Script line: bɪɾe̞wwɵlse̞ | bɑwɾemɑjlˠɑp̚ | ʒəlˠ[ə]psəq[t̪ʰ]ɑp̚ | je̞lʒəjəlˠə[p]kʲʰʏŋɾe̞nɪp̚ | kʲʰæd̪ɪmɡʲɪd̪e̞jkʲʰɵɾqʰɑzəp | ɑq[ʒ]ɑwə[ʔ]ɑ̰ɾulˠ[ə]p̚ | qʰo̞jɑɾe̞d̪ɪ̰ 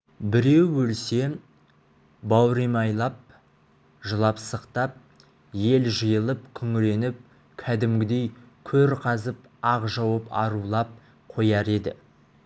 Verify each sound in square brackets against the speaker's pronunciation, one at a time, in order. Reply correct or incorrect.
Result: incorrect, incorrect, correct, correct, incorrect, incorrect

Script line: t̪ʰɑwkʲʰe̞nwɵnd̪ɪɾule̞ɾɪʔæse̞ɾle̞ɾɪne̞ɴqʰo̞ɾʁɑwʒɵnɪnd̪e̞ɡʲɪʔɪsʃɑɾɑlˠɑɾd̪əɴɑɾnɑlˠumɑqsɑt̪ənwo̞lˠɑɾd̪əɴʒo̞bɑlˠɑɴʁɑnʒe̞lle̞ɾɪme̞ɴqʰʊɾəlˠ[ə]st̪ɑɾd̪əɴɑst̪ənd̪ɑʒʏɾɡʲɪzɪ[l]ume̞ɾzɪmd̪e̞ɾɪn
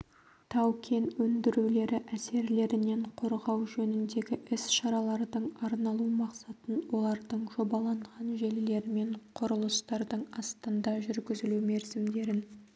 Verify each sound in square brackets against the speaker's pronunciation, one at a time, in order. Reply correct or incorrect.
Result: correct, correct

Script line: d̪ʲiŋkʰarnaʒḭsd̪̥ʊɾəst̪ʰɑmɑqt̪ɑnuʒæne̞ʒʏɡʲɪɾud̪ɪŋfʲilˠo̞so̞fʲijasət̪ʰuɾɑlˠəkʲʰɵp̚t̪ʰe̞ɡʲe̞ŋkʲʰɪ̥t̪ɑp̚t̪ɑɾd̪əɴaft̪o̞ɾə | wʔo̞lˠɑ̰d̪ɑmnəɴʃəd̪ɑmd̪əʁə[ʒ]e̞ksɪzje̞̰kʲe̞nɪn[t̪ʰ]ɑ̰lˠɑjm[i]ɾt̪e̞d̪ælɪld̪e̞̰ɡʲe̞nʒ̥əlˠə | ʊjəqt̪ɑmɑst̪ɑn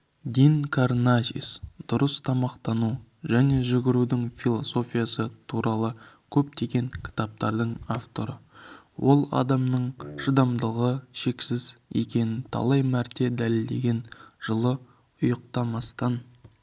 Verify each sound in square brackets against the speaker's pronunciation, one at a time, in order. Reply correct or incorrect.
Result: incorrect, correct, incorrect

